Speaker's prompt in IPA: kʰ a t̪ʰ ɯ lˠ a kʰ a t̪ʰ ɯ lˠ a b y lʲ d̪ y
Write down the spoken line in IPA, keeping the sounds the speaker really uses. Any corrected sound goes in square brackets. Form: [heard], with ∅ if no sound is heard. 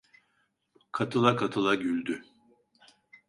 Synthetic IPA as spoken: kʰ a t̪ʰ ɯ lˠ a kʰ a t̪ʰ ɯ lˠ a [ɟ] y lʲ d̪ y